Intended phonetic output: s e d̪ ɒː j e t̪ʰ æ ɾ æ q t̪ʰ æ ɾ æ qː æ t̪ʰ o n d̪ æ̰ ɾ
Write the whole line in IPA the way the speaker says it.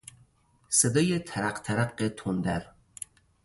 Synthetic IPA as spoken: s e d̪ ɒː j e t̪ʰ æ ɾ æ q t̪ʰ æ ɾ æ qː e t̪ʰ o n d̪ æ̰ ɾ